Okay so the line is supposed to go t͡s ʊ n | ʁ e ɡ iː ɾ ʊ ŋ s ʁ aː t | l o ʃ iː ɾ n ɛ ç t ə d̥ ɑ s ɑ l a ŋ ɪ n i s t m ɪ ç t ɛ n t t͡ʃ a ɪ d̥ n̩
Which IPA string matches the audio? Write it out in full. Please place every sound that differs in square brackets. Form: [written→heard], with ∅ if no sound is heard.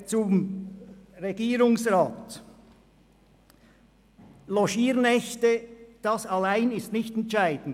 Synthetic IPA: t͡s ʊ [n→m] | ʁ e ɡ iː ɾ ʊ ŋ s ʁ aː t | l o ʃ iː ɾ n ɛ ç t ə d̥ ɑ s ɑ l a [ŋ→∅] ɪ n [i→ɪ] s t [m→n] ɪ ç t ɛ n t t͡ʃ a ɪ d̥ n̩